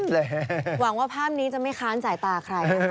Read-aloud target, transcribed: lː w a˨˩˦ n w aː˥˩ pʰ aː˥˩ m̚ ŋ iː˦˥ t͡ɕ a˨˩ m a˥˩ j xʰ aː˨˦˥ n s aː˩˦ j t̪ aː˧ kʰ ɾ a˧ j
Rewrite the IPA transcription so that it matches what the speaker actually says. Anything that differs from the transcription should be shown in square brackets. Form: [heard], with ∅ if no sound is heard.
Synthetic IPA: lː w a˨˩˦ [ŋ] w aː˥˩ pʰ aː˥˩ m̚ [n] iː˦˥ t͡ɕ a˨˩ m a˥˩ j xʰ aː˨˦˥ n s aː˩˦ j t̪ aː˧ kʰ ɾ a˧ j